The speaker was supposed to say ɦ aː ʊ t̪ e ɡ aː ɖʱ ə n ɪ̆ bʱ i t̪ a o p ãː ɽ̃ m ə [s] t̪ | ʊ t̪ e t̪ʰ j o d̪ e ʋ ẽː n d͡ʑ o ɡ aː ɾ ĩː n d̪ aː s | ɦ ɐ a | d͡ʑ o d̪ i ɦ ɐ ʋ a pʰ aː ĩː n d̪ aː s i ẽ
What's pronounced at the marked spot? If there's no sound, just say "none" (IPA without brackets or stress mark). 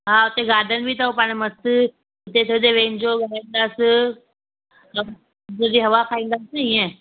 s